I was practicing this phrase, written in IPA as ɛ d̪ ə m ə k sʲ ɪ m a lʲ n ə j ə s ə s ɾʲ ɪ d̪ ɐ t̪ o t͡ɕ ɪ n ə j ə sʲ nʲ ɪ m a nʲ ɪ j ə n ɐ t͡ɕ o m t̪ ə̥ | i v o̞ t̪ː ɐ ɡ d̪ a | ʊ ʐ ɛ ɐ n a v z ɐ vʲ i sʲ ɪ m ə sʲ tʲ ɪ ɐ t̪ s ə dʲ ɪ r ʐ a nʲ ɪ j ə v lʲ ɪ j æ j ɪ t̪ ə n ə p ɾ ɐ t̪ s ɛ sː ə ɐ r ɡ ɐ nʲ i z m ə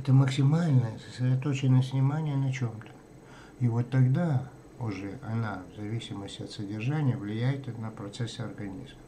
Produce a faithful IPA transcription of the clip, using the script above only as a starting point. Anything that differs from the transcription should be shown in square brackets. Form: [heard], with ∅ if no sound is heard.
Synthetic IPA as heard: ɛ [t̪] ə m ə k sʲ ɪ m a lʲ n ə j ə s ə s ɾʲ ɪ d̪ ɐ t̪ o t͡ɕ ɪ n ə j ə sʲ nʲ ɪ m a nʲ ɪ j ə n ɐ t͡ɕ o m t̪ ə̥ | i v o̞ t̪ː ɐ ɡ d̪ a | ʊ ʐ ɛ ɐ n a v z ɐ vʲ i sʲ ɪ m ə sʲ tʲ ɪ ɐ t̪ s ə dʲ ɪ r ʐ a nʲ ɪ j ə v lʲ ɪ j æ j ɪ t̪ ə n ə p ɾ ɐ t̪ s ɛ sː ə ɐ r ɡ ɐ nʲ i z m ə